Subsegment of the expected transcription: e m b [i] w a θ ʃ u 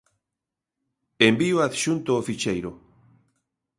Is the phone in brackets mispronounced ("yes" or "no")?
no